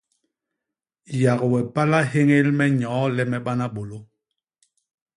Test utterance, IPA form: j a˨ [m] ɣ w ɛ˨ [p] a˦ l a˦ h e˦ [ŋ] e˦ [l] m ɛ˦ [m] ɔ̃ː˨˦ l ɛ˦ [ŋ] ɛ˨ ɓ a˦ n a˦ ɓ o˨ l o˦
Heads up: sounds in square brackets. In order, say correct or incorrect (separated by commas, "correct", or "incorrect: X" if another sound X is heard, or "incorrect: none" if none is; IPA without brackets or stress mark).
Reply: incorrect: none, correct, correct, correct, incorrect: ɲ, incorrect: m